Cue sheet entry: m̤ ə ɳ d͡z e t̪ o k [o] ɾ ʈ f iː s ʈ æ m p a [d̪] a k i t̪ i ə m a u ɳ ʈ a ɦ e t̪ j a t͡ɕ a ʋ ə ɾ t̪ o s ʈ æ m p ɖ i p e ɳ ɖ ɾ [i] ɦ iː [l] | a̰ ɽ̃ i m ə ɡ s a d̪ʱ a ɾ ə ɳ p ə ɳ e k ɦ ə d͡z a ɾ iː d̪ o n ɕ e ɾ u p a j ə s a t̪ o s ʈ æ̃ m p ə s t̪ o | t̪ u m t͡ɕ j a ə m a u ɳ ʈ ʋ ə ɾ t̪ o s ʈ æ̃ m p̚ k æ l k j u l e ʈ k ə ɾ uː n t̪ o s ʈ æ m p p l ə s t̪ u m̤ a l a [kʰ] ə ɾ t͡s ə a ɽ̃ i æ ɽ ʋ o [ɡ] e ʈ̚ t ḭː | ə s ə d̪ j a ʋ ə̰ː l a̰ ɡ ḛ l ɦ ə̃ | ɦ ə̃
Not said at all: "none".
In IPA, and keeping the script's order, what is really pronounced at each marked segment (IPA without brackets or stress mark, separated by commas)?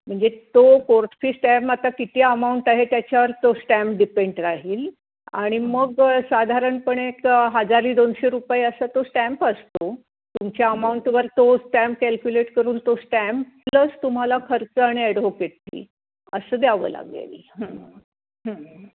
o, t̪, a, l, kʰ, k